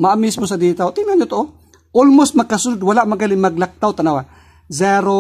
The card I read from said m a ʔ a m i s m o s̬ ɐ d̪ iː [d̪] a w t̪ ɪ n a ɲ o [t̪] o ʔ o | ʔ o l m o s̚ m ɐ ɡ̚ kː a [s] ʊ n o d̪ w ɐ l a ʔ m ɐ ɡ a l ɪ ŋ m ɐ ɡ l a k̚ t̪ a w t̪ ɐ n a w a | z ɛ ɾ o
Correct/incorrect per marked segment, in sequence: incorrect: t̪, correct, correct

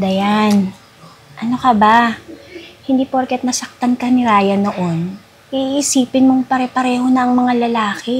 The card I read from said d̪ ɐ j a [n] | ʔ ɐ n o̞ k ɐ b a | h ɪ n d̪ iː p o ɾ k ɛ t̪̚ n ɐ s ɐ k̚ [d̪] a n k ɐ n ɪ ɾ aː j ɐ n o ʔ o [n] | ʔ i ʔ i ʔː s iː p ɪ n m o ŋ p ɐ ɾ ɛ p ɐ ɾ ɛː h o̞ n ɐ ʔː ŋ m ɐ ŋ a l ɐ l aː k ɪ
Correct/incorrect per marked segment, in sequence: correct, incorrect: t̪, correct

